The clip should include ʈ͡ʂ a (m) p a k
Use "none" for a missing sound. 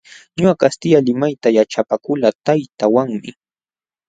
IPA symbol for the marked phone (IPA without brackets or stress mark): none